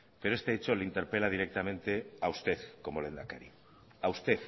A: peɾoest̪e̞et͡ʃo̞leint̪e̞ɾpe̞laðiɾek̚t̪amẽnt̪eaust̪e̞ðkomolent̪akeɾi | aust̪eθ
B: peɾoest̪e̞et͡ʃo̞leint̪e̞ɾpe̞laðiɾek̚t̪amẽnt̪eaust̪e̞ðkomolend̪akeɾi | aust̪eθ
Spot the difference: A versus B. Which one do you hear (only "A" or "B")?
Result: B